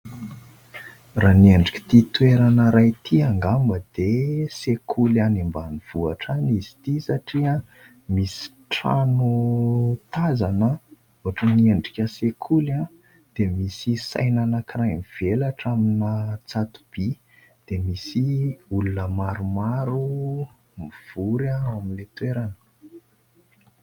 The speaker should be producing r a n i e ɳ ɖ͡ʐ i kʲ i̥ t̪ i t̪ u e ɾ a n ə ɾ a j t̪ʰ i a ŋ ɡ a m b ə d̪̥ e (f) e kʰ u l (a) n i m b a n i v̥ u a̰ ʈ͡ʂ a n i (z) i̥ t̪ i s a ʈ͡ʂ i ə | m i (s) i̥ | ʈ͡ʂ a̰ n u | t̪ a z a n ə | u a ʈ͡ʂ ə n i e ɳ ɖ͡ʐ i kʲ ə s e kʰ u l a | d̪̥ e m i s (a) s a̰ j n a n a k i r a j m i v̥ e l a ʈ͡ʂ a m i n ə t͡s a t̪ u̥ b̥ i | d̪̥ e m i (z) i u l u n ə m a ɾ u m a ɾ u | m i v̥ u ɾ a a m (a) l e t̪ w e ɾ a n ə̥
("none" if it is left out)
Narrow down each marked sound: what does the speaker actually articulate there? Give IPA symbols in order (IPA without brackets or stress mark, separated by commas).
s, a, z, s, i, s, i